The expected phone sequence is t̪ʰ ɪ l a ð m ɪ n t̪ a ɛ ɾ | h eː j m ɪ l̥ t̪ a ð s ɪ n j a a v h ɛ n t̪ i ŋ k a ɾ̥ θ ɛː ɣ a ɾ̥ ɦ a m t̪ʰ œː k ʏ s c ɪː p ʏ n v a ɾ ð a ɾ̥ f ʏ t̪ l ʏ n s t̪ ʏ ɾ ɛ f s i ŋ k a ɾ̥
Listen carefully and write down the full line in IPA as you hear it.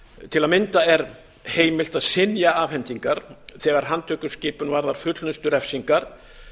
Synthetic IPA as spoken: t̪ʰ ɪ l a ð m ɪ n t̪ a ɛ ɾ | h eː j m ɪ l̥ t̪ a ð s ɪ n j a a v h ɛ n t̪ i ŋ k a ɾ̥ θ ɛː ɣ a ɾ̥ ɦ a n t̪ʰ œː k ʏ s c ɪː p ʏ n v a ɾ ð a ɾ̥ f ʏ t̪ l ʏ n s t̪ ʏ ɾ ɛ f s i ŋ k a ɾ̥

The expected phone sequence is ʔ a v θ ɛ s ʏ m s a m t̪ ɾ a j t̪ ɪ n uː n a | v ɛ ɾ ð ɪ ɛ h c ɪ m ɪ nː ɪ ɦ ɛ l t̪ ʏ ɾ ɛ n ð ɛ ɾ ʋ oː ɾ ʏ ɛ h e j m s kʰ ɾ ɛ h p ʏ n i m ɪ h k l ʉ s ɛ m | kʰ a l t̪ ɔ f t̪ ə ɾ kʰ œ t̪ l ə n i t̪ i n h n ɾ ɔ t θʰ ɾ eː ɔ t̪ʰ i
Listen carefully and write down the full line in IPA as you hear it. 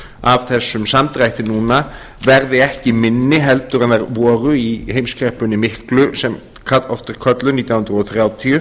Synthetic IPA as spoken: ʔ a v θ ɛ s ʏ m s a m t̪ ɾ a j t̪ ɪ n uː n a | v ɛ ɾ ð ɪ ɛ h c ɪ m ɪ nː ɪ ɦ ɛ l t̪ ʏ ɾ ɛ n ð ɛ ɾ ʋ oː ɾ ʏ i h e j m s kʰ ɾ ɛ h p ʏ n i m ɪ h k l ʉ s ɛ m | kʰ a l t̪ ɔ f t̪ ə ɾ kʰ œ t̪ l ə n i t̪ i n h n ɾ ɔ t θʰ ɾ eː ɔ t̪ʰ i

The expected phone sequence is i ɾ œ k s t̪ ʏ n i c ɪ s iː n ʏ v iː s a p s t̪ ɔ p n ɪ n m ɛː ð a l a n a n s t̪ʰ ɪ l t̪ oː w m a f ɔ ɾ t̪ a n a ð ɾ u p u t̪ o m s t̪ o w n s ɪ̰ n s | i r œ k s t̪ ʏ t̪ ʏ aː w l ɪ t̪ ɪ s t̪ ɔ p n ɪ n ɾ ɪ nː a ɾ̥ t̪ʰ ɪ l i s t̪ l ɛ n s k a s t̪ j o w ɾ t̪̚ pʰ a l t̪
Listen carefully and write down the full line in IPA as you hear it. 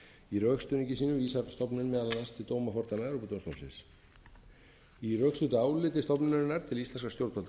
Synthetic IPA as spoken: i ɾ œ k s t̪ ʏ n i c ɪ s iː n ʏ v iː s a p s t̪ ɔ p n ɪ n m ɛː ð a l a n a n s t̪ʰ ɪ l t̪ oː w m a f ɔ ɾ t̪ a n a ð ɾ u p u t̪ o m s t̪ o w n s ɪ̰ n s | i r œ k s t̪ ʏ t̪ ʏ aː w l ɪ t̪ ɪ s t̪ ɔ p n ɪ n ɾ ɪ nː a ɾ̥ t̪ʰ ɪ l i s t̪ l ɛ n s k a s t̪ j o w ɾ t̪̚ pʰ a l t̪

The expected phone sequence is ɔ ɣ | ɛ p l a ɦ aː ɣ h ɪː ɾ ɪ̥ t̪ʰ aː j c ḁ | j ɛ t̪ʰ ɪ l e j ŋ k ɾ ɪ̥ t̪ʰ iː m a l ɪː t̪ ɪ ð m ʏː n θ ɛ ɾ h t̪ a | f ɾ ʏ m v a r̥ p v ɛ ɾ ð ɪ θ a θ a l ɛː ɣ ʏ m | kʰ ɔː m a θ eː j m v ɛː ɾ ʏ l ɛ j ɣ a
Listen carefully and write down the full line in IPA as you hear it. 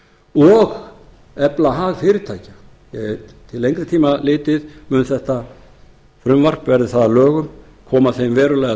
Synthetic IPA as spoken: ɔ ɣ | ɛ p l a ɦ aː ɣ f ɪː ɾ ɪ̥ t̪ʰ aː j c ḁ | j ɛ t̪ʰ ɪ l e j ŋ k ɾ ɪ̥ t̪ʰ iː m a l ɪː t̪ ɪ ð m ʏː n θ ɛ h t̪ a | f ɾ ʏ m v a r̥ p v ɛ ɾ ð ɪ θ a ð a l œː ɣ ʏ m | kʰ ɔː m a θ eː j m v ɛː ɾ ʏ l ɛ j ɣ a

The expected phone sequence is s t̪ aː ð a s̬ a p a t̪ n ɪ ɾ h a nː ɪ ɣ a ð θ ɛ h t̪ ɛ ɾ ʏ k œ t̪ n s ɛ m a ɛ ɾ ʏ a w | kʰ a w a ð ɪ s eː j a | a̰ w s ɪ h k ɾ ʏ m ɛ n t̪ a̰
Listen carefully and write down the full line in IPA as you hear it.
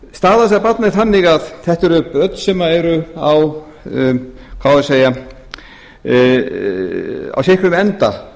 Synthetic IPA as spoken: s t̪ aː ð a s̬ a p a t̪ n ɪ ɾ θ a nː ɪ ɣ a ð θ ɛ h t̪ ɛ ɾ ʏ p œ t̪ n s ɛ m a ɛ ɾ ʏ a w | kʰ a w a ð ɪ s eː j a | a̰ w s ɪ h k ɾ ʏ m ɛ n t̪ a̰

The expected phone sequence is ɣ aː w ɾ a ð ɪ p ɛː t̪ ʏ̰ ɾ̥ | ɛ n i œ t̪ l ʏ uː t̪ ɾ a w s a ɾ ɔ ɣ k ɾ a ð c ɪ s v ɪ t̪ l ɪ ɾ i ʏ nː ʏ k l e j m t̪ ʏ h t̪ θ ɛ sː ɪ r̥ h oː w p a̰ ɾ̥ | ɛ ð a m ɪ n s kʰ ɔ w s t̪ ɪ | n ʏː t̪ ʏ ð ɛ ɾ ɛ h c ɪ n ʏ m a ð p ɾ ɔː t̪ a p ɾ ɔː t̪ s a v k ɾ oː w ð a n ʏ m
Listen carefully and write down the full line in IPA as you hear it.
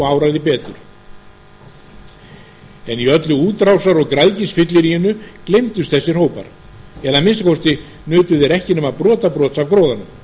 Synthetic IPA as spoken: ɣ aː w ɾ a ð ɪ p ɛː t̪ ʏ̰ ɾ̥ | ɛ n i œ t̪ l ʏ uː t̪ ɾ a w s a ɾ ɔ ɣ k ɾ a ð c ɪ s f ɪ t̪ l ɪ ɾ i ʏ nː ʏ k l e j m t̪ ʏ s t̪ θ ɛ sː ɪ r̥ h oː w p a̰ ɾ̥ | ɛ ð a m ɪ n s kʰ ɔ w s t̪ ɪ | n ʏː t̪ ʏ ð ɛ ɾ ɛ h c ɪ n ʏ m a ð p ɾ ɔː t̪ a p ɾ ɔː t̪ s a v k ɾ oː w ð a n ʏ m

